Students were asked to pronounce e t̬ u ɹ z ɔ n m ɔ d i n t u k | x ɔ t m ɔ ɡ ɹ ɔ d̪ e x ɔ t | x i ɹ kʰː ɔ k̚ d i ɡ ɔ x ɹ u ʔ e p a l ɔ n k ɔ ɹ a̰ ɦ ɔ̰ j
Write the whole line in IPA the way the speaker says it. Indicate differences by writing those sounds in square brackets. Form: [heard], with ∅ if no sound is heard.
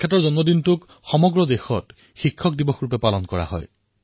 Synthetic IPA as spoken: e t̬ [ɔ] ɹ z ɔ n m ɔ d i n t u k | x ɔ [∅] m ɔ ɡ ɹ ɔ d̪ e x ɔ t | x i [∅] kʰː ɔ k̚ d i [b] ɔ x ɹ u [p] e p a l ɔ n k ɔ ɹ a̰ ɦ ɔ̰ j